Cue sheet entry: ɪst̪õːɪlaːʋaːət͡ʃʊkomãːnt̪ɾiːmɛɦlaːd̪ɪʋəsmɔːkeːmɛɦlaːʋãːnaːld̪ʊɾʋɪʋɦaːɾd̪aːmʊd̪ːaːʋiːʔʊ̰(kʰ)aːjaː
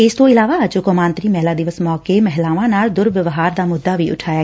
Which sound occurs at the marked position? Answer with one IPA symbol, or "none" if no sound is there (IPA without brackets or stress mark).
ʈʰ